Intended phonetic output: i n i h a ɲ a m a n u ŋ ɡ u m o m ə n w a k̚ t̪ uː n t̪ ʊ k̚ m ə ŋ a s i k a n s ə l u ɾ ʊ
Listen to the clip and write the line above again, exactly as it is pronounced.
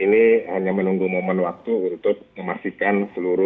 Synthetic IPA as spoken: i n i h a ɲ a m ə n u ŋ ɡ u m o m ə n w a k̚ t̪ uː n t̪ ʊ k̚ m ə m a s i k a n s ə l u ɾ ʊ